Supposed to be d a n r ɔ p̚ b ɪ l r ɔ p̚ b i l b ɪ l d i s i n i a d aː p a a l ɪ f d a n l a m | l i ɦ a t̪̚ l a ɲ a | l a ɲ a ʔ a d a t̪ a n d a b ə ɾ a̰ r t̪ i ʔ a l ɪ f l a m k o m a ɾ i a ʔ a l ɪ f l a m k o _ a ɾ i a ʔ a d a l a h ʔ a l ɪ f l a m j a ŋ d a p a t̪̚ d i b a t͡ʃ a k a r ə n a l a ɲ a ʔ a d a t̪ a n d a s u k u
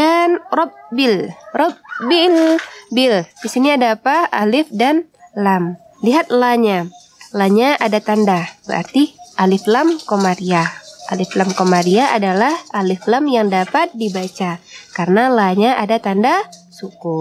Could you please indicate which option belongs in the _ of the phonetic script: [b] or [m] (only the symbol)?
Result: m